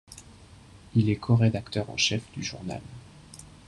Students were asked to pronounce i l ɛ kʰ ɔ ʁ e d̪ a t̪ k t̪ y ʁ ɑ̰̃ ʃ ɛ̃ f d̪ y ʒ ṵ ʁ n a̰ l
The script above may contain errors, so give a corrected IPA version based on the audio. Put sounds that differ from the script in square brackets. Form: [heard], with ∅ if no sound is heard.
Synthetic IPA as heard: i l ɛ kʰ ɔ ʁ e d̪ a [∅] k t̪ [œ] ʁ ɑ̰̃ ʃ [ɛ] f d̪ y ʒ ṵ ʁ n a̰ l